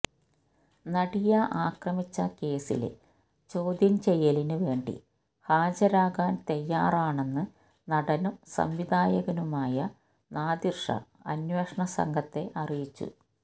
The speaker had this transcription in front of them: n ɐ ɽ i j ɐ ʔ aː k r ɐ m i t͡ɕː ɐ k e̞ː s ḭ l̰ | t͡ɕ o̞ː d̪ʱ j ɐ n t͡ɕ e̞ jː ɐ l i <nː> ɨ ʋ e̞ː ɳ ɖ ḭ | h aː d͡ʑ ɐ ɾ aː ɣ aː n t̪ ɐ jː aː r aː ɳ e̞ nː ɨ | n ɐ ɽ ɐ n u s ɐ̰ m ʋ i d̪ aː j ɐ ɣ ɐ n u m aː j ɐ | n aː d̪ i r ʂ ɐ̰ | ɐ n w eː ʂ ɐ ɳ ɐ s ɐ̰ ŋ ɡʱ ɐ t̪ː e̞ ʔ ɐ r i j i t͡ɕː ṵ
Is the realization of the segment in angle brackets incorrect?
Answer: yes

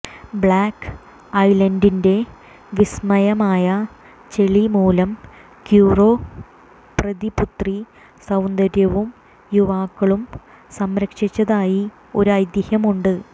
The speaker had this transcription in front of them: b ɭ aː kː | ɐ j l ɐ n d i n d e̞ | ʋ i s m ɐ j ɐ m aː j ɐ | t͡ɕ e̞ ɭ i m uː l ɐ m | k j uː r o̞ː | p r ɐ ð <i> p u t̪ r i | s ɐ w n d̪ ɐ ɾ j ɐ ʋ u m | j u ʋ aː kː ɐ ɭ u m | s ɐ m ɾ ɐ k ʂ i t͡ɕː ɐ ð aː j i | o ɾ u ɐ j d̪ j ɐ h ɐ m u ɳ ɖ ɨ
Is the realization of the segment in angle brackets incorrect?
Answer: no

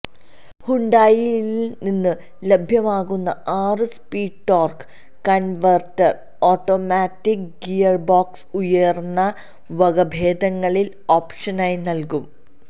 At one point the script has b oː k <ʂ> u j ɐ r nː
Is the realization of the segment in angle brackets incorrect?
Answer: yes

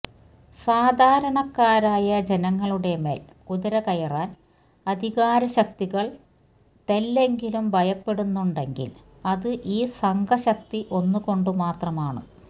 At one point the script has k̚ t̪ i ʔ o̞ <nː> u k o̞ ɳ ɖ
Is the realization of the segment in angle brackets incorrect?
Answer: no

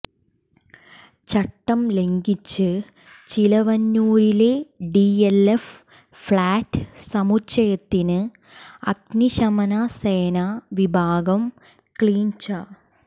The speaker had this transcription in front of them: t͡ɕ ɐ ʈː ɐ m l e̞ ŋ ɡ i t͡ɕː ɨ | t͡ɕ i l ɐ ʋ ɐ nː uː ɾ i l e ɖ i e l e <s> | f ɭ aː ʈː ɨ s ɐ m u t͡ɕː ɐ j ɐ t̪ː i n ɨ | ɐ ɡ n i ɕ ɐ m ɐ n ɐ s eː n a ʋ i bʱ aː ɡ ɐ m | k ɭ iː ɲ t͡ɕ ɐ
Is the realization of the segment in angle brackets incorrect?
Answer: yes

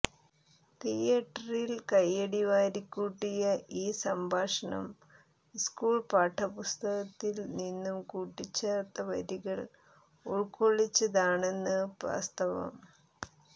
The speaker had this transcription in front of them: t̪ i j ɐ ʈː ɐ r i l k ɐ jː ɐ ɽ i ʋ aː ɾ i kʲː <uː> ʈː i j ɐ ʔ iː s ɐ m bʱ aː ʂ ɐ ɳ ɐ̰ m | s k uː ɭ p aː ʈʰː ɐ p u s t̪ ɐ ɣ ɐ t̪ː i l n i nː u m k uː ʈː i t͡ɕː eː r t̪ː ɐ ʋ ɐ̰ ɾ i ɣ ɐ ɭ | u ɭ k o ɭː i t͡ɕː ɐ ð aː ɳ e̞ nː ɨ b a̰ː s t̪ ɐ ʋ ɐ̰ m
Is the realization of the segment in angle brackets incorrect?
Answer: no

